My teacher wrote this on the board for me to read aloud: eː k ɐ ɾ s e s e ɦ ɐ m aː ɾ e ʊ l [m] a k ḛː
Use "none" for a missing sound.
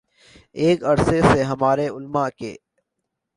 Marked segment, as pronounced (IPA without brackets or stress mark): m